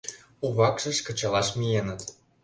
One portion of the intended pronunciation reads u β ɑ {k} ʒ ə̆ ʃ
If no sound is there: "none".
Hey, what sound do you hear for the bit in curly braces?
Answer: k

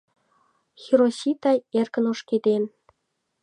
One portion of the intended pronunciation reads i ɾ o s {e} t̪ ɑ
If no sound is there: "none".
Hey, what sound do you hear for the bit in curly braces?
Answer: i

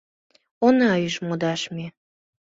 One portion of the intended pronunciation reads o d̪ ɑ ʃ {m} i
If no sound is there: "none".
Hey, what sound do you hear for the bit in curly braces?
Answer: m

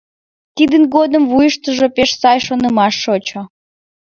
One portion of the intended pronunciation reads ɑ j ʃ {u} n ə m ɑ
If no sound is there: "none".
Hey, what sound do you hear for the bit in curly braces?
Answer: o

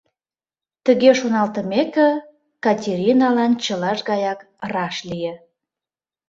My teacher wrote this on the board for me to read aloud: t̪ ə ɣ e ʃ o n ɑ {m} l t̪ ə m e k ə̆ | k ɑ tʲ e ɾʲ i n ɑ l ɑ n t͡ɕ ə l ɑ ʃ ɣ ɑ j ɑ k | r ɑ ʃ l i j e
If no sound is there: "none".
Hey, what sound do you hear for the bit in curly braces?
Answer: none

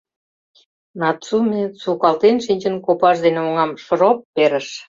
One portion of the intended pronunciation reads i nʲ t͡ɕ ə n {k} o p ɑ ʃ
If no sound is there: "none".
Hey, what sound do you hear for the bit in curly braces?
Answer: k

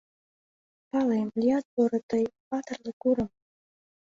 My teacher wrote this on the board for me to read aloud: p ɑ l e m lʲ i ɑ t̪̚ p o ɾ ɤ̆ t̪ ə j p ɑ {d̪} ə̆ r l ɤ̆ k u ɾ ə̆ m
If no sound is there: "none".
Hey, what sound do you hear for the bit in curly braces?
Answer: t̪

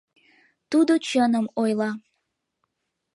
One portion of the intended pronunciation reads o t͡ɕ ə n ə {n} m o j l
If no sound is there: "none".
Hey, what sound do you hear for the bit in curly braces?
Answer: none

